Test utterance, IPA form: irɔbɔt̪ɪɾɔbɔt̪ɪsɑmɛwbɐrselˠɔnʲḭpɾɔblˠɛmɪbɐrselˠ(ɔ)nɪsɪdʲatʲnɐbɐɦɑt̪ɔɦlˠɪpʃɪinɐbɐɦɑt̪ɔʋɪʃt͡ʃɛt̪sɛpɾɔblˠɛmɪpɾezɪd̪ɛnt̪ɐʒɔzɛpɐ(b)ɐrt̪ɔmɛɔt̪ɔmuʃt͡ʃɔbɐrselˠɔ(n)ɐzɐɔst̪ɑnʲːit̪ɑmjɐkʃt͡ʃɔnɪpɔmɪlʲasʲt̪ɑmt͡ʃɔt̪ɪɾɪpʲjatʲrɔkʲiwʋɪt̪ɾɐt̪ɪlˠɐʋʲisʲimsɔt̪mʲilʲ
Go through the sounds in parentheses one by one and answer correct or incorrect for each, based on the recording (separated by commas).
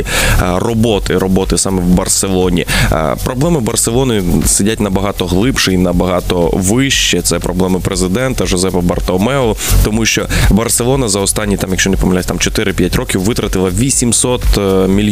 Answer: correct, correct, correct